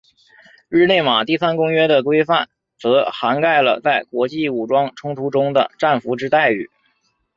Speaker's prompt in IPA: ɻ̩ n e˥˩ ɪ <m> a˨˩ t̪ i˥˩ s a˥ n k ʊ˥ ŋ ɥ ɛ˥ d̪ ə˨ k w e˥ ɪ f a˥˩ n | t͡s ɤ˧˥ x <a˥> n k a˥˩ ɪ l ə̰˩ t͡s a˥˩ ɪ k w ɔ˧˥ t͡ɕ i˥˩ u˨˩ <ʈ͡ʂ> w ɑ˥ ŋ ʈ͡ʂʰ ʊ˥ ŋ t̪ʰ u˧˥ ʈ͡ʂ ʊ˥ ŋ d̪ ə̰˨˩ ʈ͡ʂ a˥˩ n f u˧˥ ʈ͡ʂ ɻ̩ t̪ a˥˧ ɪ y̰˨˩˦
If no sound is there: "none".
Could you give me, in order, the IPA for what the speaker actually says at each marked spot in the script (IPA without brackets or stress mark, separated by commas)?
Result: m, a˧˥, ʈ͡ʂ